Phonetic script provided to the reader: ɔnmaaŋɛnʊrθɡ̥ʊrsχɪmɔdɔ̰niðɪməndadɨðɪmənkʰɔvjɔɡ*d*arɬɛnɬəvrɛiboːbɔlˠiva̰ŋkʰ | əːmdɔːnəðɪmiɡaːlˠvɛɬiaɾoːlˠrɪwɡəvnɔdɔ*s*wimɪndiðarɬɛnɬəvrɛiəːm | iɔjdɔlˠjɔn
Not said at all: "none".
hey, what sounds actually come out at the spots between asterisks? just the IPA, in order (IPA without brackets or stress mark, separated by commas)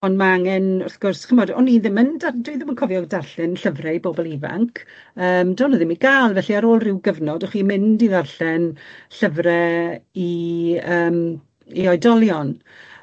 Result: d, χ